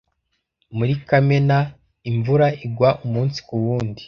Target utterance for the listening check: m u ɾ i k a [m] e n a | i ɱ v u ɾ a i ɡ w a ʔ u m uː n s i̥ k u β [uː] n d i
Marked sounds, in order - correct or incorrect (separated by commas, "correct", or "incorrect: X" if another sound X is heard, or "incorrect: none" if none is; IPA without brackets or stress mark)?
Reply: correct, correct